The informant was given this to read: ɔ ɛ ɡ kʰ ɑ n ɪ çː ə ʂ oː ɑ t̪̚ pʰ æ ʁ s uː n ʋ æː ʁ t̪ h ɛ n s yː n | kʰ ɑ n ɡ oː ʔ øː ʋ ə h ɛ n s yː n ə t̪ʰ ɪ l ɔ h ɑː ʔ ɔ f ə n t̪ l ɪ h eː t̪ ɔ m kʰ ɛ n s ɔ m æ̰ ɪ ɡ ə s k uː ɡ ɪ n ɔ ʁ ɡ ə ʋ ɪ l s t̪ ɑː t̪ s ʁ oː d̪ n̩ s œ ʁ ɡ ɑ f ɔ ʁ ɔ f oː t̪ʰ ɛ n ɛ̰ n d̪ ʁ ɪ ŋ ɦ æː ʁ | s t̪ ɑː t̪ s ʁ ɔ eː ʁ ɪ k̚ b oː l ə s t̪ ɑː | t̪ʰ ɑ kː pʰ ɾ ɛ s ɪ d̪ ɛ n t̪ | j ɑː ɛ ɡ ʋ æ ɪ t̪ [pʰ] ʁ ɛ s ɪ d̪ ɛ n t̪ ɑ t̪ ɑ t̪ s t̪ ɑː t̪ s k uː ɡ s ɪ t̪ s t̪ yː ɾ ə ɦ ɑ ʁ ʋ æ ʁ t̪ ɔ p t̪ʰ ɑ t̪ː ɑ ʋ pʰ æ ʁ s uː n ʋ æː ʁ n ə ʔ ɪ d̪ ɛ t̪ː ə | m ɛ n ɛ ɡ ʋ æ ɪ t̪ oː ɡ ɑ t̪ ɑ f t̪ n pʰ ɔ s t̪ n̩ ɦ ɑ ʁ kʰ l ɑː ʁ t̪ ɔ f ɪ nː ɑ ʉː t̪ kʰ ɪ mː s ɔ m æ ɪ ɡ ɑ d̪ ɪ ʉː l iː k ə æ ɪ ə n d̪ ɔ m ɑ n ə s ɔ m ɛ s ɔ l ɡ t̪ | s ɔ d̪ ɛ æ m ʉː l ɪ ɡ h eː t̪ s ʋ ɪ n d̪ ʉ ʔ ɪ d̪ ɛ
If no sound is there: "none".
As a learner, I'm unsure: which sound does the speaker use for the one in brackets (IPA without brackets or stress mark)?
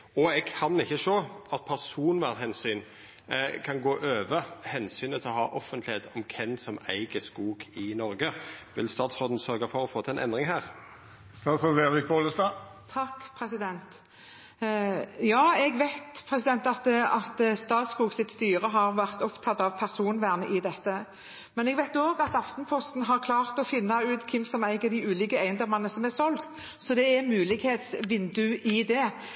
pʰ